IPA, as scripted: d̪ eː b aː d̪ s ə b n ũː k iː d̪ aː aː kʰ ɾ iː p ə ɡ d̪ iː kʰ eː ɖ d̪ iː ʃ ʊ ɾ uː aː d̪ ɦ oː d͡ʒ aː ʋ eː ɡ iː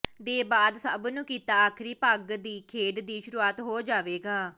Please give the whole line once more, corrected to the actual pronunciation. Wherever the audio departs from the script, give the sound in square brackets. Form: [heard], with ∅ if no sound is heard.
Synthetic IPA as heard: d̪ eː b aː d̪ s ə b n ũː k iː [t̪] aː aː kʰ ɾ iː p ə ɡ d̪ iː kʰ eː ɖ d̪ iː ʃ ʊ ɾ uː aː [t̪] ɦ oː d͡ʒ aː ʋ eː ɡ [aː]